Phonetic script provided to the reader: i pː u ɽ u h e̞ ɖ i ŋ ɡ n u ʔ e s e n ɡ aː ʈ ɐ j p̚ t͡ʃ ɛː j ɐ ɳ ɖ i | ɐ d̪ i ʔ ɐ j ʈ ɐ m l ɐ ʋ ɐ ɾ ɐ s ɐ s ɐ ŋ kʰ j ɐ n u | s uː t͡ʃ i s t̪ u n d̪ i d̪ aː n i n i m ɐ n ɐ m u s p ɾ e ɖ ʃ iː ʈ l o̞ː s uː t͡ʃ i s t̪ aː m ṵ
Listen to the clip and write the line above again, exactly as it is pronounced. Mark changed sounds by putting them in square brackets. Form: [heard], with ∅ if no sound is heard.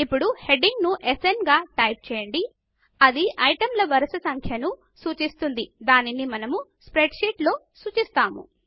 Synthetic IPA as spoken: i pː u ɽ u h e̞ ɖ i ŋ ɡ n u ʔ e s e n ɡ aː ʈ ɐ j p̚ t͡ʃ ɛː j ɐ ɳ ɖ i | ɐ d̪ i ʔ ɐ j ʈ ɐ m l ɐ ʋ ɐ ɾ ɐ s ɐ s ɐ ŋ kʰ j ɐ n u | s uː t͡ʃ i s t̪ u n d̪ i d̪ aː n i n i m ɐ n ɐ m u s p ɾ e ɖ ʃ iː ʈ l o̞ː s uː t͡ʃ i s t̪ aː m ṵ